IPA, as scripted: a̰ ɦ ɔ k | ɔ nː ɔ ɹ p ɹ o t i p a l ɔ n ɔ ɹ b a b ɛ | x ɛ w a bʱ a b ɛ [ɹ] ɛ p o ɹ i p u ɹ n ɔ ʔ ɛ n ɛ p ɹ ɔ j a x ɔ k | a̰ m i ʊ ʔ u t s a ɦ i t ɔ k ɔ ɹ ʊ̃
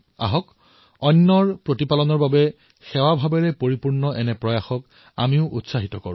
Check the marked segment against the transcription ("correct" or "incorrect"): correct